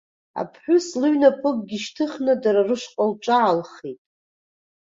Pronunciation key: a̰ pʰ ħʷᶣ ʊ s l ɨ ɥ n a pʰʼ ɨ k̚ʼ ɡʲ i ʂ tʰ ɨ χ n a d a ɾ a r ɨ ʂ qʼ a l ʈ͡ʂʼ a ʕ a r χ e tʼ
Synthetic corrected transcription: a̰ pʰ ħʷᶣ ʊ s l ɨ ɥ n a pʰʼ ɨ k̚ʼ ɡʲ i ʃ tʰ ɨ χ n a d a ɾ a r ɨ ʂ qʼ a l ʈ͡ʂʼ a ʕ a l χ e tʼ